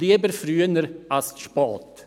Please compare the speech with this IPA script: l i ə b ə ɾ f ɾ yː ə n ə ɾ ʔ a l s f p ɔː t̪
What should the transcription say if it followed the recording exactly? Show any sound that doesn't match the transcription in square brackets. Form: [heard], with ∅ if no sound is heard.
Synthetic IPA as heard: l i ə b ə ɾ f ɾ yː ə n ə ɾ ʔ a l s [ʃ] p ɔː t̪